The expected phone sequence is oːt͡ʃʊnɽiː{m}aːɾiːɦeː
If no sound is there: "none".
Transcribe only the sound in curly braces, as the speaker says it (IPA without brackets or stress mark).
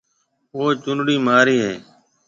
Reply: m